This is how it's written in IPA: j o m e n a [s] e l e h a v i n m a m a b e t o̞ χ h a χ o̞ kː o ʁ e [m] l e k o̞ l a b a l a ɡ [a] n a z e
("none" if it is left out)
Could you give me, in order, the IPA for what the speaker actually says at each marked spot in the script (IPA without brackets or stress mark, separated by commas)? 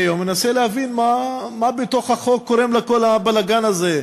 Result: s, m, a